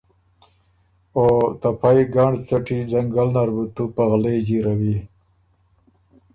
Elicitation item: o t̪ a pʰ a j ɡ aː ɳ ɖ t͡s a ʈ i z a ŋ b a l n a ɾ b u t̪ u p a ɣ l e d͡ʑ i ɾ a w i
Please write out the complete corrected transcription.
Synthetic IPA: o t̪ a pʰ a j ɡ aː ɳ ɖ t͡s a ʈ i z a ŋ ɡ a l n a ɾ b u t̪ u p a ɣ l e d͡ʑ i ɾ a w i